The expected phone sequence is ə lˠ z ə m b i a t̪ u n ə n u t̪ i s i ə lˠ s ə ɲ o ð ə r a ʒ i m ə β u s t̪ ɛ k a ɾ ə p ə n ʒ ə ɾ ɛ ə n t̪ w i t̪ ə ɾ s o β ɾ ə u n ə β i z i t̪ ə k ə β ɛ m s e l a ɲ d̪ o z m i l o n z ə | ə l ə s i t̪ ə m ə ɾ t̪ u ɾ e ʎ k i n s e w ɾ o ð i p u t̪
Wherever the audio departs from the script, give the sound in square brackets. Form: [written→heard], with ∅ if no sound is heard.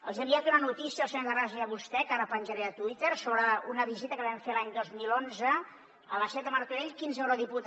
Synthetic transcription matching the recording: ə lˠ z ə m b i a t̪ u n ə n u t̪ i s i ə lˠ s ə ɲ o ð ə r a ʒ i [m→∅] ə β u s t̪ ɛ k a ɾ ə p ə n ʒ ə ɾ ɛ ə [n→∅] t̪ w i t̪ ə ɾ s o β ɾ ə u n ə β i z i t̪ ə k ə β ɛ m [s→f] e l a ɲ d̪ o z m i l o n z ə | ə l ə s [i→ɛ] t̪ ə m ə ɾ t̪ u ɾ e ʎ k i n [s→z] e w ɾ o ð i p u t̪